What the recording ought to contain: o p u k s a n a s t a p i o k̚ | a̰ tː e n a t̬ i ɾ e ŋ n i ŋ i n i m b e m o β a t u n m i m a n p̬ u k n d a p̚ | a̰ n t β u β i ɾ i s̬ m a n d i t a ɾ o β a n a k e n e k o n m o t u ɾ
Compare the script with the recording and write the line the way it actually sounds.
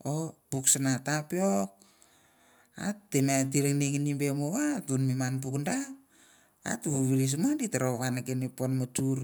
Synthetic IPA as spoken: o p u k s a n a t a p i o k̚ | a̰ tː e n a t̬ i ɾ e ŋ n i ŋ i n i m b e m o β a t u n m i m a n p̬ u k n d a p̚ | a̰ t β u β i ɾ i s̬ m a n d i t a ɾ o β a n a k e n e p o n m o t u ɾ